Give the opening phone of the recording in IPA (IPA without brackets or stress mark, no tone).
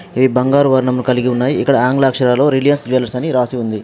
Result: ʋ